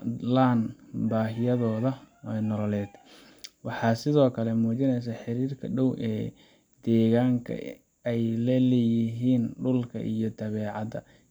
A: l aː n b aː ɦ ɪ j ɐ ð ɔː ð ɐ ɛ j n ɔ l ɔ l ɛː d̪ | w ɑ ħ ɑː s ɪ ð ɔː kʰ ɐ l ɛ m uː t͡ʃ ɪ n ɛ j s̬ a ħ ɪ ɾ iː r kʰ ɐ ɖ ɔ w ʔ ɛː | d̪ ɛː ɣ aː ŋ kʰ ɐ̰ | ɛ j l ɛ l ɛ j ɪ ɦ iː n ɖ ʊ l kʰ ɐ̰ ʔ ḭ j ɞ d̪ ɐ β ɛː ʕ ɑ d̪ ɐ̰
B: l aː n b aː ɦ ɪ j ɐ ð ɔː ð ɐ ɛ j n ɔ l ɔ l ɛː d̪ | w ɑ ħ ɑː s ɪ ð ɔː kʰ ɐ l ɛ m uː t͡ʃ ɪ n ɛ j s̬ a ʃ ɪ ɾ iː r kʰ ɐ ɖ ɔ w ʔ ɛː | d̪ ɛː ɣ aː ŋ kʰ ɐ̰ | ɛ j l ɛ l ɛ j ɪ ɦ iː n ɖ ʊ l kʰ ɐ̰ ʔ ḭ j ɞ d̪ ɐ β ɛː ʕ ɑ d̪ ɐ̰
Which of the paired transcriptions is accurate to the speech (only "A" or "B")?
A